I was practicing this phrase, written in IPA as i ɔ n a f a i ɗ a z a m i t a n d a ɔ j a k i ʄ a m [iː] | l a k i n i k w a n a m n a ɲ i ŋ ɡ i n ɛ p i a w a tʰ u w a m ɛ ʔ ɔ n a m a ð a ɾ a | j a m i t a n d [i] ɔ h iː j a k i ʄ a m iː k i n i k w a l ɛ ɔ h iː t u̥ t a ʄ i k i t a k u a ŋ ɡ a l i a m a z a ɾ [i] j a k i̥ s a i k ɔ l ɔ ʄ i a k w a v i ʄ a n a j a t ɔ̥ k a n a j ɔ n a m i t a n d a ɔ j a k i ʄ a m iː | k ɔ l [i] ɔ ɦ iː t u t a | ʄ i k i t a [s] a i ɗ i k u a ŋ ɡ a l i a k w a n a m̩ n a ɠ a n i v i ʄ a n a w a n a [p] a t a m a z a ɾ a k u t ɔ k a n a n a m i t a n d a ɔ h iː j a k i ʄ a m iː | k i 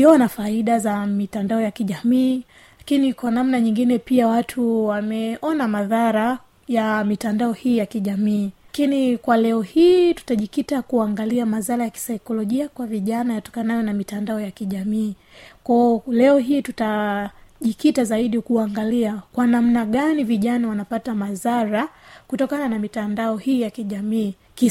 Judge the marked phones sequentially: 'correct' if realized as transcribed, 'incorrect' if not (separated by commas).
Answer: correct, incorrect, incorrect, incorrect, incorrect, correct